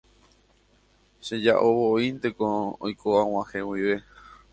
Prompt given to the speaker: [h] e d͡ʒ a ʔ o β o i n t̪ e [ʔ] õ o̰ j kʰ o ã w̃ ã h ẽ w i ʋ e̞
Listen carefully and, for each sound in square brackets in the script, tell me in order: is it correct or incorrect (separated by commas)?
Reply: incorrect, incorrect